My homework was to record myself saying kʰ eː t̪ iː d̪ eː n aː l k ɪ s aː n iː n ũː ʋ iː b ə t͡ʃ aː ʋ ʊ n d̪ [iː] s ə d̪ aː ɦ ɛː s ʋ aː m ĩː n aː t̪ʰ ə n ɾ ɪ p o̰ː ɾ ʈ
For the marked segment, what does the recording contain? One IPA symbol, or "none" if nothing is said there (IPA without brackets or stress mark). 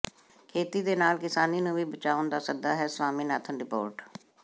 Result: aː